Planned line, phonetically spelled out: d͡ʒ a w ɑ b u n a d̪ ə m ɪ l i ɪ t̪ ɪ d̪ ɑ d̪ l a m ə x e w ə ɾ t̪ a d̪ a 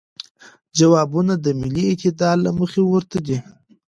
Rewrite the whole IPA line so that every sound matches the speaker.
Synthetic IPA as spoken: d͡ʒ a w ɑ b u n a d̪ ə m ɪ l i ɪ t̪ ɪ d̪ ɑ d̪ l a m ə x e w ə ɾ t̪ a d̪ i

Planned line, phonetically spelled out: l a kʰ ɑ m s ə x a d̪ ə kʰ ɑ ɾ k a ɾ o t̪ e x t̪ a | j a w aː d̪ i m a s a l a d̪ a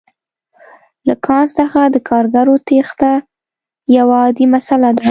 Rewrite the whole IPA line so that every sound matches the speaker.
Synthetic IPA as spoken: l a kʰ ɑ n s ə x a d̪ ə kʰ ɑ ɾ ɡ a ɾ o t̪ e x t̪ a | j a w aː d̪ i m a s a l a d̪ a

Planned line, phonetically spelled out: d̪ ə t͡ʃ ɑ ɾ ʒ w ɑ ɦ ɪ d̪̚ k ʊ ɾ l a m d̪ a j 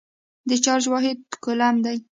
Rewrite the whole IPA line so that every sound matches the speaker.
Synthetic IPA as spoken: d̪ ə t͡ʃ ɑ ɾ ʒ w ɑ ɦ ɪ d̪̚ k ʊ l a m d̪ a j

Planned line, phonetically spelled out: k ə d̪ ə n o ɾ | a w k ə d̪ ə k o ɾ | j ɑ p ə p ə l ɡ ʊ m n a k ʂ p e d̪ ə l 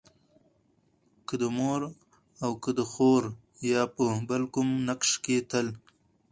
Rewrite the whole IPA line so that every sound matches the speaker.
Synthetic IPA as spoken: k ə d̪ ə m o ɾ | a w k ə d̪ ə x o ɾ | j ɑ p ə b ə l k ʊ m n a k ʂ k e t̪ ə l

